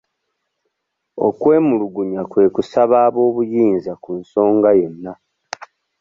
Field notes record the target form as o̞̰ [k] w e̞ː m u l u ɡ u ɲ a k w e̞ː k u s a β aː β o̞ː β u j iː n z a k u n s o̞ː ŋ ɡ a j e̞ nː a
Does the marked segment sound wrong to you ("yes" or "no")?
no